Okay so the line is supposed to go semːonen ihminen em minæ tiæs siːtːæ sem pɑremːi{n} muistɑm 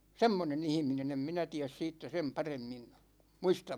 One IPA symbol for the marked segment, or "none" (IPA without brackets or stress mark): n